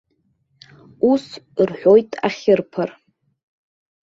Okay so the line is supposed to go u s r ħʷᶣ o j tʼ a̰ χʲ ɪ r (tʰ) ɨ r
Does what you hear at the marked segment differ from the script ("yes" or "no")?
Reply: yes